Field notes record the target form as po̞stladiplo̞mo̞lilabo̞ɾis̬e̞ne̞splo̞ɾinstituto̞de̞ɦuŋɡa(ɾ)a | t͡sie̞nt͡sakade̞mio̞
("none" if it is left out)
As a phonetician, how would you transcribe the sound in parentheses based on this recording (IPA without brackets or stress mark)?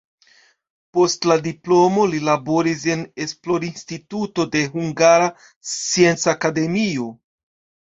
ɾ